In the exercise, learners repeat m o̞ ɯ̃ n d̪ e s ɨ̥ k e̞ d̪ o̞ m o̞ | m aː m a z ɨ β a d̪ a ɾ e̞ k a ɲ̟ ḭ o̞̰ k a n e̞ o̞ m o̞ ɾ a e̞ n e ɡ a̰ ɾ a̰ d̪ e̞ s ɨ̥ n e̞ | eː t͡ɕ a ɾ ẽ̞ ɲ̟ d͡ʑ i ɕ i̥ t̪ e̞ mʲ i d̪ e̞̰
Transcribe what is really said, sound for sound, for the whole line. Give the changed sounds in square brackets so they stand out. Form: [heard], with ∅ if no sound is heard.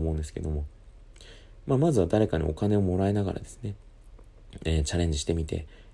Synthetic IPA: m o̞ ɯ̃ n d̪ e s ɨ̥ k e̞ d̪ o̞ m o̞ | m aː m a z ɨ β a d̪ a ɾ e̞ k a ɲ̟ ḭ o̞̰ k a n e̞ o̞ m o̞ ɾ a e̞ n [a] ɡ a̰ ɾ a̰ d̪ e̞ s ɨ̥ n e̞ | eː t͡ɕ a ɾ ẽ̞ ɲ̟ d͡ʑ i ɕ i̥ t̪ e̞ mʲ i [t̪] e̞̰